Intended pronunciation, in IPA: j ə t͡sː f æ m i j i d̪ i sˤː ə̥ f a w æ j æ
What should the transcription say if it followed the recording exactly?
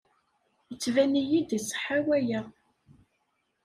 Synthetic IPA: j ə t͡sː v æ n i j i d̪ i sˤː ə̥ ħ a w æ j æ